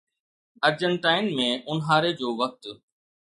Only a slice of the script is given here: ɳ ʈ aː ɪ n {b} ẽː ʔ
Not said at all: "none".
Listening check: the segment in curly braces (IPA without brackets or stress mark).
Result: m